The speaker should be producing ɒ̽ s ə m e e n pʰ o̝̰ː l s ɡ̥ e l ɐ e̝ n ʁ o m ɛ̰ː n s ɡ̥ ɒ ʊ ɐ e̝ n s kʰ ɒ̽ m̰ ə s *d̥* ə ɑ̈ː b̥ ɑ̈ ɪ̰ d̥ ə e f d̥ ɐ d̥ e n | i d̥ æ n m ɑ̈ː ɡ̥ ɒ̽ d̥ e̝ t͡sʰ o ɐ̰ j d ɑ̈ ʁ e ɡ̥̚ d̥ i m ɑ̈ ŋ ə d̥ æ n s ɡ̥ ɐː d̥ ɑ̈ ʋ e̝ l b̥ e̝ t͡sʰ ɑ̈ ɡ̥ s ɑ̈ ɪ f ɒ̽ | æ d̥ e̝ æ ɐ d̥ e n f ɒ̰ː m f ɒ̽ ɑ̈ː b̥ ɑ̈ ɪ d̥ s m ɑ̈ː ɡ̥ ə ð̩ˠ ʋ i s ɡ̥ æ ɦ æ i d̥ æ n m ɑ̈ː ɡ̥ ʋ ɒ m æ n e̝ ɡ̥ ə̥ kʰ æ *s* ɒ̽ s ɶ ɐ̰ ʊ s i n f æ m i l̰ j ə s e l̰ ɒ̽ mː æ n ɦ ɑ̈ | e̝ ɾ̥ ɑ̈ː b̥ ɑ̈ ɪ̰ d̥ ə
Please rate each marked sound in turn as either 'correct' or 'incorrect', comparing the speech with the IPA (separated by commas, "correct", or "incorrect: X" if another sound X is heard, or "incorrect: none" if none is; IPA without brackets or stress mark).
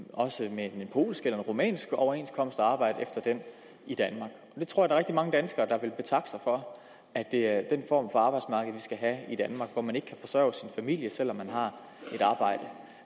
correct, incorrect: f